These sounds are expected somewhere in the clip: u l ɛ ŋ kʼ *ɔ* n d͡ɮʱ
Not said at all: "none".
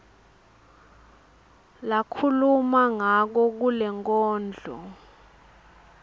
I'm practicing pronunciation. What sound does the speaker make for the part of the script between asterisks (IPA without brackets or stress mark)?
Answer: ɔː